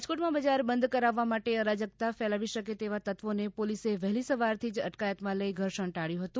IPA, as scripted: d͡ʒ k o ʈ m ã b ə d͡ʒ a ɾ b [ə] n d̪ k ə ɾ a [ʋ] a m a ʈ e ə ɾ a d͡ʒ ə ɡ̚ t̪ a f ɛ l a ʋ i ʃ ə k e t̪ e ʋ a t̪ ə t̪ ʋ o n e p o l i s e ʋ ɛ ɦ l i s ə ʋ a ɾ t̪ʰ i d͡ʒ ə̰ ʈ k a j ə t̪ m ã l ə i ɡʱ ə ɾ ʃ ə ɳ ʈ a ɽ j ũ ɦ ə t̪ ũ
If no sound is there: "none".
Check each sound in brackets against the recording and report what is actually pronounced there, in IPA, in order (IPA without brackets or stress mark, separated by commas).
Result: ə, ʋː